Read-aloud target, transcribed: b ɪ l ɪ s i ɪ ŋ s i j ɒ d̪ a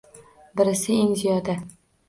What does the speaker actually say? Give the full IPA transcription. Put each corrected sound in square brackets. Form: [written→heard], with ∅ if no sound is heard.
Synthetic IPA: b ɪ [l→ɾ] ɪ s [i→ɪ] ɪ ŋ [s→z] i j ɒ d̪ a

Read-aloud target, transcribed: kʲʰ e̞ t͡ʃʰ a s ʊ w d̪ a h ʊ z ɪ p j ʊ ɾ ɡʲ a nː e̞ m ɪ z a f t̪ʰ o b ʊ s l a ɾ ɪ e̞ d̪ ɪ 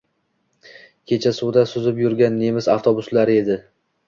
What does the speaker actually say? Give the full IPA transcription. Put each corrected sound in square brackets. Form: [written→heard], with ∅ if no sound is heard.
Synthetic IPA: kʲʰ e̞ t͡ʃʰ a s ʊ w d̪ a [h→s] ʊ z ɪ p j ʊ ɾ ɡʲ a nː e̞ m ɪ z a f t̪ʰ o b ʊ s l a ɾ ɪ e̞ d̪ ɪ

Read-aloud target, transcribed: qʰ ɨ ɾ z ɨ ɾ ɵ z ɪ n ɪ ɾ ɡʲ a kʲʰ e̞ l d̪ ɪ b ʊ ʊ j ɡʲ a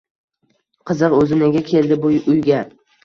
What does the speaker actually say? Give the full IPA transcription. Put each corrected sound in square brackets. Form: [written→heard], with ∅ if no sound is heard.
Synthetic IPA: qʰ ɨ [ɾ→∅] z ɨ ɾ ɵ z ɪ n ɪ [ɾ→∅] ɡʲ a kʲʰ e̞ l d̪ ɪ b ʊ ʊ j ɡʲ a

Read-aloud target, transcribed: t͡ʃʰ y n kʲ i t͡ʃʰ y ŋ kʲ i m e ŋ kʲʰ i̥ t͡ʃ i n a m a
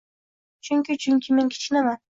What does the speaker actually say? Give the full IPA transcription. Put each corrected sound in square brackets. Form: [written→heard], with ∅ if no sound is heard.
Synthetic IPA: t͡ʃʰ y [n→ŋ] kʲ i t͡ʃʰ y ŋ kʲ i m e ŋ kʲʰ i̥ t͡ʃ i n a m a

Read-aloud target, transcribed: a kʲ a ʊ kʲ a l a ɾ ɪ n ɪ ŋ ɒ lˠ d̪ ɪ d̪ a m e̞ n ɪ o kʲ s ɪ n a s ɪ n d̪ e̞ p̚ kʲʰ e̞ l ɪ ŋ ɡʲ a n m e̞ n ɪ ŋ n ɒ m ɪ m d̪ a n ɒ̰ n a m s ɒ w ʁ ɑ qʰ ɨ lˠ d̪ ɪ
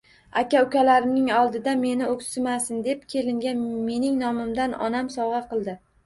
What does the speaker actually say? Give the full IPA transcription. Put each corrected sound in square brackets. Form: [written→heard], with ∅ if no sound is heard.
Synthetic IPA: a kʲ a ʊ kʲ a l a ɾ ɪ n ɪ ŋ ɒ lˠ d̪ ɪ d̪ a m e̞ n ɪ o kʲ s ɪ [n→m] a s ɪ n d̪ e̞ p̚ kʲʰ e̞ l ɪ ŋ ɡʲ a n m e̞ n ɪ ŋ n ɒ m ɪ m d̪ a n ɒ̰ n a m s ɒ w ʁ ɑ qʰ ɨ lˠ d̪ ɪ

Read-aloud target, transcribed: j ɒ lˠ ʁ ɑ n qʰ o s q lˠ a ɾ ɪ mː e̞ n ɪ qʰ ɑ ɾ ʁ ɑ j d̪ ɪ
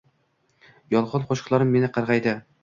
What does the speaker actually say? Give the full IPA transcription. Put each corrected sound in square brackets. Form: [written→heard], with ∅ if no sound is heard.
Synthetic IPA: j ɒ lˠ ʁ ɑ n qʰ o [s→ʃ] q lˠ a ɾ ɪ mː e̞ n ɪ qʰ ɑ ɾ ʁ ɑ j d̪ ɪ

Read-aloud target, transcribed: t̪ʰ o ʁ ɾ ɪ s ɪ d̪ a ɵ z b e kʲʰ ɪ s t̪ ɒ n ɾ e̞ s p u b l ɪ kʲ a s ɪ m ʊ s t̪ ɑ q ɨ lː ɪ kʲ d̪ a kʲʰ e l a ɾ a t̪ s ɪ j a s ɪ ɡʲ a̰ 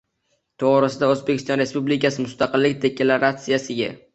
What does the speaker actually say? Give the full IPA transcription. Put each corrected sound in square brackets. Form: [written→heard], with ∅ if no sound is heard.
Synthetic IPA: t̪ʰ o ʁ ɾ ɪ s ɪ d̪ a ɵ z b e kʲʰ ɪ s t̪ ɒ n ɾ e̞ s p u b l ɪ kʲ a s ɪ m ʊ s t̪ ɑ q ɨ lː ɪ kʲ d̪ [a→e] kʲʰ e l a ɾ a t̪ s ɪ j a s ɪ ɡʲ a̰

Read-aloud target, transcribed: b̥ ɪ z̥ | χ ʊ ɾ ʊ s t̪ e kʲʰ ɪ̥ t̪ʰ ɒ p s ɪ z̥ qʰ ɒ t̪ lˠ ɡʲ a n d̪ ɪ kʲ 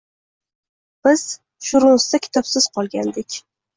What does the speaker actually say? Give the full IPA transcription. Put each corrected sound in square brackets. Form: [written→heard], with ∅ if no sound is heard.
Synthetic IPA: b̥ ɪ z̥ | [χ→ʃ] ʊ ɾ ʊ s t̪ [e→a] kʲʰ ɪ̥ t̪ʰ ɒ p s ɪ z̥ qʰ ɒ [t̪→∅] lˠ ɡʲ a n d̪ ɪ kʲ

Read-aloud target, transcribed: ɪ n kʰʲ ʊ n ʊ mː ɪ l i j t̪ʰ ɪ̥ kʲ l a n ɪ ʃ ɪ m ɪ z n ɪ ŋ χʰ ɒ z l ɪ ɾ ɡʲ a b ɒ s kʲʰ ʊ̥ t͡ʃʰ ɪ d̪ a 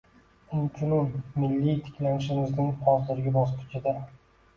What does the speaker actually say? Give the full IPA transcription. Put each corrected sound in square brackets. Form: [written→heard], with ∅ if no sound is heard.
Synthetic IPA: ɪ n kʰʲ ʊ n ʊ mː ɪ [l→lː] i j t̪ʰ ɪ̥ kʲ l a n ɪ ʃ ɪ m ɪ z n ɪ ŋ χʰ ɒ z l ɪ ɾ ɡʲ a b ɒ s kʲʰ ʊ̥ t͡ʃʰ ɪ d̪ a

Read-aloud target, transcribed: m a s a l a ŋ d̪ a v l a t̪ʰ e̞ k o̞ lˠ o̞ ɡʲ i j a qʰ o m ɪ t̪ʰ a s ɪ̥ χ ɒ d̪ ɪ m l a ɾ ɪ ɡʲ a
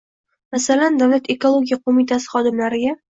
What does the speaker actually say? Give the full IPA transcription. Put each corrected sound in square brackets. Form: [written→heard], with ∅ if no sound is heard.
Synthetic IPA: m a s a l a [ŋ→n] d̪ a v l a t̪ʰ e̞ k o̞ lˠ o̞ ɡʲ i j a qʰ o m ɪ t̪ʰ a s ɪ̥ χ ɒ d̪ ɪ m l a ɾ ɪ ɡʲ a

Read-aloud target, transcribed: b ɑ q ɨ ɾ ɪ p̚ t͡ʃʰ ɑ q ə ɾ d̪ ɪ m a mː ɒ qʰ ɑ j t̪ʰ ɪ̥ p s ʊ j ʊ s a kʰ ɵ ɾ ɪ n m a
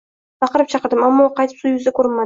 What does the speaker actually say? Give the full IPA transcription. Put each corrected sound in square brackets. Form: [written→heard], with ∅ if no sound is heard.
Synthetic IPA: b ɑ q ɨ ɾ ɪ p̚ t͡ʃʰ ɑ q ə ɾ d̪ ɪ m a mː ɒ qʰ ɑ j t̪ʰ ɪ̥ p s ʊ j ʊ [s→z] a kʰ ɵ ɾ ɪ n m a

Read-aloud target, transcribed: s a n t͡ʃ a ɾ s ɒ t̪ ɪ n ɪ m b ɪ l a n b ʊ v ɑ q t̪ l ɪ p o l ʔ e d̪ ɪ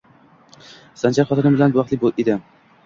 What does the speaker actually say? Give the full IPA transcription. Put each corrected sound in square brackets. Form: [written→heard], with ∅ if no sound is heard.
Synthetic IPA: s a n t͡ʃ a ɾ [s→χ] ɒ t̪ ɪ n ɪ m b ɪ l a n b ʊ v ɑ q t̪ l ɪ [p→b] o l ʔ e d̪ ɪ

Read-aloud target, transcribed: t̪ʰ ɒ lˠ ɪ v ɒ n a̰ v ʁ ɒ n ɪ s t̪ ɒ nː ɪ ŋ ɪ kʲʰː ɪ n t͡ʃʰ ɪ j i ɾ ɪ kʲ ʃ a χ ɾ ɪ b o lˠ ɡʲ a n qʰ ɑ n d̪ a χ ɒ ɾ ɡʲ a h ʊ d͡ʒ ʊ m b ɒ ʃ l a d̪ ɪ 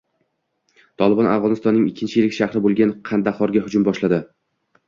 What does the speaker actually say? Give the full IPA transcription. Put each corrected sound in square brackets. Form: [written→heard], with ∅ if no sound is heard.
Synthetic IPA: t̪ʰ ɒ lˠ ɪ [v→b] ɒ n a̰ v ʁ ɒ n ɪ s t̪ ɒ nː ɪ ŋ ɪ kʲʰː ɪ n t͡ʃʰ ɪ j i [ɾ→l] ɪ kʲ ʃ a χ ɾ ɪ b o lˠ ɡʲ a n qʰ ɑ n d̪ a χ ɒ ɾ ɡʲ a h ʊ d͡ʒ ʊ m b ɒ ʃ l a d̪ ɪ

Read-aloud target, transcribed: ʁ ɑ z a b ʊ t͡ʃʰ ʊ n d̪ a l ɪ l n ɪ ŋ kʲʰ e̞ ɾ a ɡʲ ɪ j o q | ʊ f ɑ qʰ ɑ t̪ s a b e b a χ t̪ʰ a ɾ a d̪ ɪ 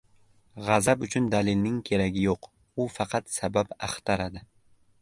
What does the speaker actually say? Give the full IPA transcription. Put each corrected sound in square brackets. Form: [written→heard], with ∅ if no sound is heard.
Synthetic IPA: ʁ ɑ z a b ʊ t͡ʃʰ ʊ n d̪ a l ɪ l n ɪ ŋ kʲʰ e̞ ɾ a ɡʲ ɪ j o q | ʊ f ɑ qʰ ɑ t̪ s a b [e→a] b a χ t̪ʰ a ɾ a d̪ ɪ

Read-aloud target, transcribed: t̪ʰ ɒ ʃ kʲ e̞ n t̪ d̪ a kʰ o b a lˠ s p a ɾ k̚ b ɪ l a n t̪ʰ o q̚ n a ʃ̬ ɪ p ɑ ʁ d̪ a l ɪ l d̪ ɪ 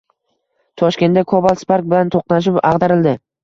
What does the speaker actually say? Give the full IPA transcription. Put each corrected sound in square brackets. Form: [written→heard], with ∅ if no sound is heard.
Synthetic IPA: t̪ʰ ɒ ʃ kʲ e̞ n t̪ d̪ a kʰ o b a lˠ s p a ɾ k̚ b ɪ l a n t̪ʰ o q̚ n a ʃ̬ ɪ p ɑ ʁ d̪ a [l→ɾ] ɪ l d̪ ɪ

